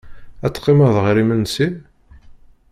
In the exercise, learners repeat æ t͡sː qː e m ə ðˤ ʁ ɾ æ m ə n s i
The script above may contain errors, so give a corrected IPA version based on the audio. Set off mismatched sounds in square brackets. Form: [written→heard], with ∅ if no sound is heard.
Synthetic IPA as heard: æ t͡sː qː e m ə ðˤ ʁ ɾ [æ→i] m ə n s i

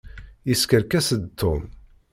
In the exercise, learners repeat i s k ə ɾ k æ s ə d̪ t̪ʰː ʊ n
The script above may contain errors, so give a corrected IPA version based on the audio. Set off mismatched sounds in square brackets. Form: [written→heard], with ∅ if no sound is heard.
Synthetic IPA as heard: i s k ə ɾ k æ s ə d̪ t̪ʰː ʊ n

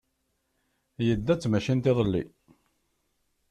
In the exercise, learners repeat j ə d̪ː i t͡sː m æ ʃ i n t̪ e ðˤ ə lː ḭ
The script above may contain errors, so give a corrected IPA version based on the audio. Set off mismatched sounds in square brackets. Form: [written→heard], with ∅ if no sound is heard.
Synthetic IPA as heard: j ə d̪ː [i→æ] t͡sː m æ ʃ i n t̪ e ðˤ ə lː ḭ

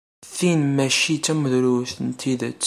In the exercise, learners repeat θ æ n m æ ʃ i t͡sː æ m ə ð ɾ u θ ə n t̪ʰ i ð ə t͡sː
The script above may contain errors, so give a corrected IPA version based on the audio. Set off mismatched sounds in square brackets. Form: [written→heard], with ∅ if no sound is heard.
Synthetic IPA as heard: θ [æ→i] n m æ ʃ i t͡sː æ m ə ð ɾ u θ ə n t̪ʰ i ð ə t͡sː

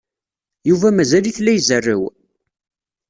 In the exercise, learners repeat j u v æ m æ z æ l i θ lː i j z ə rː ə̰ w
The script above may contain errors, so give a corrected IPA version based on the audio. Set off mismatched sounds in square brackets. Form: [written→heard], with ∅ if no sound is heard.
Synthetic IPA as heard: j u v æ m æ z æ l i θ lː [i→æ] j z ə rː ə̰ w

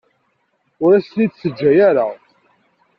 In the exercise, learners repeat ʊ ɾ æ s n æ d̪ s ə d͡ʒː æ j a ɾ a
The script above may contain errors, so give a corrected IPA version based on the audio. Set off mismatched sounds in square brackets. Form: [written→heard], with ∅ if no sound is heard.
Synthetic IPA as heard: ʊ ɾ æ s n [æ→i] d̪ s ə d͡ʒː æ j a ɾ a

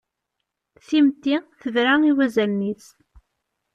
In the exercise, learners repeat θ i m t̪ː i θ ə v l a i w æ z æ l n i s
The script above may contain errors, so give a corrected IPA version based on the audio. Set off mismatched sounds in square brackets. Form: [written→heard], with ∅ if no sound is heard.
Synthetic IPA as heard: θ i m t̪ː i θ ə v [l→ɾ] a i w æ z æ l n i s

